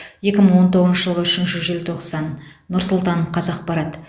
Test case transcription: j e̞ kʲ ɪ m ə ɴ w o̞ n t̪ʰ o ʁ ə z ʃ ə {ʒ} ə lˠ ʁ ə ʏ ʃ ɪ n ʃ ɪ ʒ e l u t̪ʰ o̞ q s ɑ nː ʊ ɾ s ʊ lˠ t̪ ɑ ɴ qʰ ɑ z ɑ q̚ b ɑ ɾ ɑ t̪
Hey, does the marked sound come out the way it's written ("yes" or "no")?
yes